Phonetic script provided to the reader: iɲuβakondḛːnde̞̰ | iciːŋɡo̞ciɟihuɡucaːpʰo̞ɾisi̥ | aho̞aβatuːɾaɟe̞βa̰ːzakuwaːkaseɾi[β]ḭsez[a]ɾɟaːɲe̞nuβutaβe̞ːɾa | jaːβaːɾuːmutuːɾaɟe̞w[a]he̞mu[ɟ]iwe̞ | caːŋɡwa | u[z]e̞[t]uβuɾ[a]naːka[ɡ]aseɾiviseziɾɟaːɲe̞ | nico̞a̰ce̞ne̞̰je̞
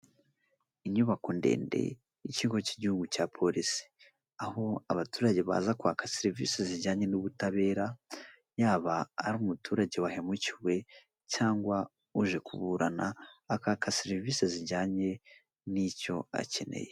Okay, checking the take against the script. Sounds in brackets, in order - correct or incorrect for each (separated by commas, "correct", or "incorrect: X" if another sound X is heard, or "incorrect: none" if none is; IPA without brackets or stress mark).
incorrect: v, incorrect: i, correct, incorrect: c, incorrect: ʒ, incorrect: k, correct, incorrect: k